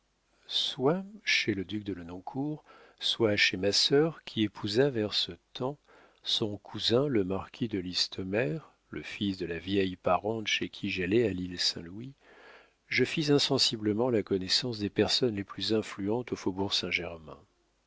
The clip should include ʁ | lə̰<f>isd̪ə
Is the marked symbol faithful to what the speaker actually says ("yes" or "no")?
yes